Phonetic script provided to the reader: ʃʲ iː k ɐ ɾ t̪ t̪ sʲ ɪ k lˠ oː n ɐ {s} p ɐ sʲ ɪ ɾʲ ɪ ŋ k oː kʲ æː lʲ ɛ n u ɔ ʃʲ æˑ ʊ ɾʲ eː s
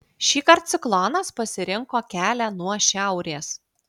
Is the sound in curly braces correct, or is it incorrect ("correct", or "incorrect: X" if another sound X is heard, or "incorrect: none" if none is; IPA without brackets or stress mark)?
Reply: correct